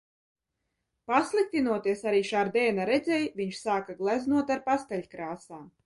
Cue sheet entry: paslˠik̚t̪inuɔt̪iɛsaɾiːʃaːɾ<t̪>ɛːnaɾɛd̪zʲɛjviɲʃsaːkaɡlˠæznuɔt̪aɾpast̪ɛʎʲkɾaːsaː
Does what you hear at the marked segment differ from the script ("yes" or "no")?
yes